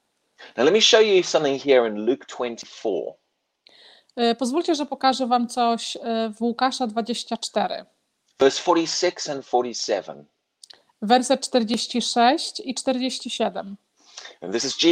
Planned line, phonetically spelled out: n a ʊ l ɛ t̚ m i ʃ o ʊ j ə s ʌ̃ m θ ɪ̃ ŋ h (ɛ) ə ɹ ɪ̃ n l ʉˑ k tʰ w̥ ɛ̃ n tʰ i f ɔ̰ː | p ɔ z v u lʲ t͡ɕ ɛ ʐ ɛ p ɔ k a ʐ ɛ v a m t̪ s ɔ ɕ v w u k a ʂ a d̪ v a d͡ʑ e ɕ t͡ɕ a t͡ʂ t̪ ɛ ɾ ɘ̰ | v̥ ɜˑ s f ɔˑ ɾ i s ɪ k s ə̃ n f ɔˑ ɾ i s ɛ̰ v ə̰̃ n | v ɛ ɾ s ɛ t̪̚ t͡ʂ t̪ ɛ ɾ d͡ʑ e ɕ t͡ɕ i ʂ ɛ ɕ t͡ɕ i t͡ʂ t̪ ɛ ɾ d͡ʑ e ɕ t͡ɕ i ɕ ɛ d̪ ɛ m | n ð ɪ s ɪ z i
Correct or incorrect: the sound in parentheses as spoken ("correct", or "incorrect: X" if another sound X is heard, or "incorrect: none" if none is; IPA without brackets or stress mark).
incorrect: i